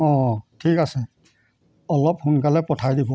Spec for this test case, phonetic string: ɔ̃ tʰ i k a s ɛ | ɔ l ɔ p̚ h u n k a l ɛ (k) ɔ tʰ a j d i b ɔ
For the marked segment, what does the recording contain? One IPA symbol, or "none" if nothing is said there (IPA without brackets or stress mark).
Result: p